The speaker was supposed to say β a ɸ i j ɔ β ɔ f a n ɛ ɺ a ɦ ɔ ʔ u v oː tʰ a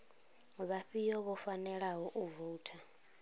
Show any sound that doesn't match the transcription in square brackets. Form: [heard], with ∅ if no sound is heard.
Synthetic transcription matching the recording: β a ɸ i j ɔ β ɔ f a n ɛ ɺ a ɦ ɔ ʔ u v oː tʰ a

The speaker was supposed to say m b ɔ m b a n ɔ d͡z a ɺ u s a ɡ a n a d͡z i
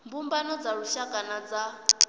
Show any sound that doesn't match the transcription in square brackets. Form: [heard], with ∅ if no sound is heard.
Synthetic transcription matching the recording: m b [u] m b a n ɔ d͡z a ɺ u [ʃ] a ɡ a n a d͡z [a]

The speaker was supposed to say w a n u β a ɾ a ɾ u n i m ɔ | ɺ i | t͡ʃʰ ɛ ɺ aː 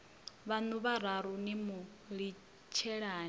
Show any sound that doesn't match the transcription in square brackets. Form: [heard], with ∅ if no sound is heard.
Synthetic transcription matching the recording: [β] a n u β a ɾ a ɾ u n i m [u] | ɺ i | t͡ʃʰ ɛ ɺ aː

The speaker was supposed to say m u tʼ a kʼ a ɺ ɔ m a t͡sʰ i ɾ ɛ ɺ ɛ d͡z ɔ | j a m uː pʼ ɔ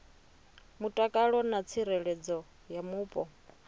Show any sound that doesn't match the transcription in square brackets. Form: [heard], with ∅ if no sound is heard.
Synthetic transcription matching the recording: m u tʼ a kʼ a ɺ ɔ [n] a t͡sʰ i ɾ ɛ ɺ ɛ d͡z ɔ | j a m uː pʼ ɔ

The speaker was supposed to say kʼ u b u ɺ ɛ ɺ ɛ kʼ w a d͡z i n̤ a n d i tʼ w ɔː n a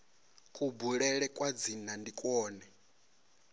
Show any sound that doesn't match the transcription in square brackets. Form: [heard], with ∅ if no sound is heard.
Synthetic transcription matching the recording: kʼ u b u ɺ ɛ ɺ ɛ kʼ w a d͡z i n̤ a n d i [kʼ] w ɔː n [ɛ]

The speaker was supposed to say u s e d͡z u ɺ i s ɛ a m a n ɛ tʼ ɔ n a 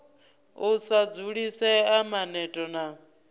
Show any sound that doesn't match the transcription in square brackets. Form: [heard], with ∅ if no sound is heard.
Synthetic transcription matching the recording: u s [a] d͡z u ɺ i s ɛ a m a n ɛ tʼ ɔ n a

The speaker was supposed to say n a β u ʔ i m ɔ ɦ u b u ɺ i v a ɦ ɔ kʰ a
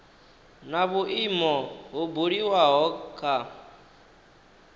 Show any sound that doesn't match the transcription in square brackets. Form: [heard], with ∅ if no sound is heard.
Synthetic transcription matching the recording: n a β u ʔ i m ɔ ɦ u b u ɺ i [w] a ɦ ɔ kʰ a

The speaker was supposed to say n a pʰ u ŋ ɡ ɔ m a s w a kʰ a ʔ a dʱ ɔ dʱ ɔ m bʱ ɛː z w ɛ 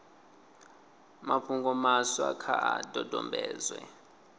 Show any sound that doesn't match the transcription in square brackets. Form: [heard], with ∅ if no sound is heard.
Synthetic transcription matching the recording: [m] a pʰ u ŋ ɡ ɔ m a s w a kʰ a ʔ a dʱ ɔ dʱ ɔ m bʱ ɛː z w ɛ

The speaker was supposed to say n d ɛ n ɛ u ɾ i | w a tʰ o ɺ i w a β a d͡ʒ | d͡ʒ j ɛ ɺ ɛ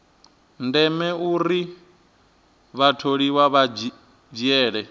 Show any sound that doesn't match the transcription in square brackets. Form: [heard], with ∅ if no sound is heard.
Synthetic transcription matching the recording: n d ɛ [m] ɛ u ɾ i | [β] a tʰ o ɺ i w a β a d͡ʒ | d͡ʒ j [ɛː] ɺ ɛ

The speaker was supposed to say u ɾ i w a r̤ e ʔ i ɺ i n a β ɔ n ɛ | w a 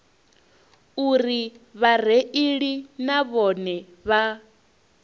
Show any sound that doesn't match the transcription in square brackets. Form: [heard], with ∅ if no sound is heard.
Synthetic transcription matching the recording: u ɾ i [β] a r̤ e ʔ i ɺ i n a β ɔ n ɛ | [β] a

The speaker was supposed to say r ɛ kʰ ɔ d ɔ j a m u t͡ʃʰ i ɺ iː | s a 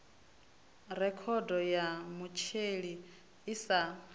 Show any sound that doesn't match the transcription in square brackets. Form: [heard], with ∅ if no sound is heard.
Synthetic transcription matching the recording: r ɛ kʰ ɔ d ɔ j a m u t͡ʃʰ [e] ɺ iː | s a

